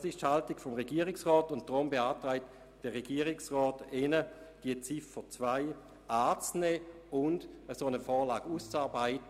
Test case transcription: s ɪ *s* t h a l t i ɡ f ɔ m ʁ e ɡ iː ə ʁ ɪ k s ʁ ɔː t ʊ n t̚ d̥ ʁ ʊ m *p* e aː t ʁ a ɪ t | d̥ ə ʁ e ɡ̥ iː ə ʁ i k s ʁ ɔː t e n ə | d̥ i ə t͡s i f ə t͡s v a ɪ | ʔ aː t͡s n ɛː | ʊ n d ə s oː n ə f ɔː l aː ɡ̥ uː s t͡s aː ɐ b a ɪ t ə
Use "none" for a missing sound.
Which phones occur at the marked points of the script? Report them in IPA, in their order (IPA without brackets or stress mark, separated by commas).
ʃ, b